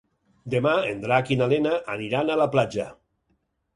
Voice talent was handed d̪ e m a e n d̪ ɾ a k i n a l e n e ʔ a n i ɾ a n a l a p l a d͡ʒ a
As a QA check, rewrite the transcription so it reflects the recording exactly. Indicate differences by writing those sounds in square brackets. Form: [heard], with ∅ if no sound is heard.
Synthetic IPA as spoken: d̪ e m a e n d̪ ɾ a k i n a l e n [a] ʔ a n i ɾ a n a l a p l a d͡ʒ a